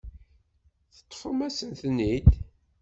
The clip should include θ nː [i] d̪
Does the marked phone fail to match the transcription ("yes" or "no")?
no